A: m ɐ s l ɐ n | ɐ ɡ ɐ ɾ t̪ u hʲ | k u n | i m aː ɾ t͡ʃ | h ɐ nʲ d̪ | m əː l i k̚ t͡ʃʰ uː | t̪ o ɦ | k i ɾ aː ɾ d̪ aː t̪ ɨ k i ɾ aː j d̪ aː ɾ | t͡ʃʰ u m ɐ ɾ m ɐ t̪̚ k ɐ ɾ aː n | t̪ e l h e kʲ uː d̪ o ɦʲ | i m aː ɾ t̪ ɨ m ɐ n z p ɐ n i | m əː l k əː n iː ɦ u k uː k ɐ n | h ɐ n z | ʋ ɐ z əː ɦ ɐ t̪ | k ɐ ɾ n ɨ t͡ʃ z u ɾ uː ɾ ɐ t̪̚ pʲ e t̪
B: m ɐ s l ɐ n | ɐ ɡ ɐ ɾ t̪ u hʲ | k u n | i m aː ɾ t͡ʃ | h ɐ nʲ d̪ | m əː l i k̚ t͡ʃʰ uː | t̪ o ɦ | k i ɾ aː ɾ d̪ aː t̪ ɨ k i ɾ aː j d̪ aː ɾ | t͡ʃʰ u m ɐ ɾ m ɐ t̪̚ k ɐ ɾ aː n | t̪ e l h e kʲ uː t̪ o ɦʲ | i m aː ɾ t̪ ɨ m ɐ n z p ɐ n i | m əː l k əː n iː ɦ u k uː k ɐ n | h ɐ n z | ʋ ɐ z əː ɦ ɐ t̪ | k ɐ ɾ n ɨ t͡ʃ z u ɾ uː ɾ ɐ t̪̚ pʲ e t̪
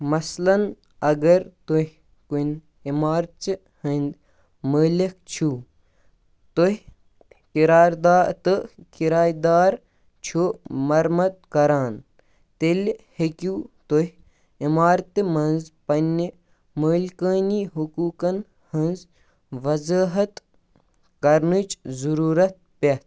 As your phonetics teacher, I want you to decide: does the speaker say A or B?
B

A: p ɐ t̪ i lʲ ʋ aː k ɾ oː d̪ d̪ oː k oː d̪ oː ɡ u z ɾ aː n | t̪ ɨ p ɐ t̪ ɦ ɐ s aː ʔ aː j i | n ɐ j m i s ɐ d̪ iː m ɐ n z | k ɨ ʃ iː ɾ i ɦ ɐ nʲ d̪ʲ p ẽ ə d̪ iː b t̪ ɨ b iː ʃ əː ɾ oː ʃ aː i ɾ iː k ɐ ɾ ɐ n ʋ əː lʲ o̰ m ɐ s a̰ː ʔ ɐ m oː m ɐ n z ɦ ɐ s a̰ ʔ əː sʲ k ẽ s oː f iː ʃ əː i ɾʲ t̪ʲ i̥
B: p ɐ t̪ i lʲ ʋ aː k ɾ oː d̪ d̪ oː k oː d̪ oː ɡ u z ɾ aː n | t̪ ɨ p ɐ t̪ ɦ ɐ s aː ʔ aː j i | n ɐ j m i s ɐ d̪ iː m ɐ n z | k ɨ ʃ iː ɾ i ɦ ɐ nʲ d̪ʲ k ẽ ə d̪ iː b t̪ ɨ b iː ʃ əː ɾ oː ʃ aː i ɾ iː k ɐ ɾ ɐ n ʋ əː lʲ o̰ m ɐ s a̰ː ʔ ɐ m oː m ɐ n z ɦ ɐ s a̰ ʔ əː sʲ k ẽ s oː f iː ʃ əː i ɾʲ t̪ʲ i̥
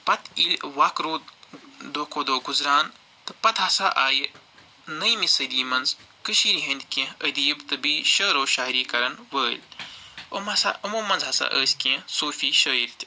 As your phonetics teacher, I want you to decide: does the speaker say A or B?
B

